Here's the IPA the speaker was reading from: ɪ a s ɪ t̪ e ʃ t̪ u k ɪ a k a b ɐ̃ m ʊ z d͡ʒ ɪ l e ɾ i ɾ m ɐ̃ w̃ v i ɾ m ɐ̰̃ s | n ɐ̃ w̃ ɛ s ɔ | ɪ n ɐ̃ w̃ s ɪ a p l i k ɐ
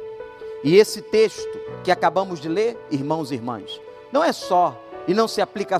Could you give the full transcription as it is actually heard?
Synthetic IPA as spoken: ɪ e s ɪ t̪ e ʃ t̪ ʊ k ɪ a k a b ɐ̃ m ʊ z d͡ʒ ɪ l e ɾ i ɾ m ɐ̃ w̃ z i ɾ m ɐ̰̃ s | n ɐ̃ w̃ ɛ s ɔ | ɪ n ɐ̃ w̃ s ɪ a p l i k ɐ